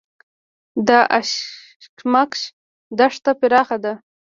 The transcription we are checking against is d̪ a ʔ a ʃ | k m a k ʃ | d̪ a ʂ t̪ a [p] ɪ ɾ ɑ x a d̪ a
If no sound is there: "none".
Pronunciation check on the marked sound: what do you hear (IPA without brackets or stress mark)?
p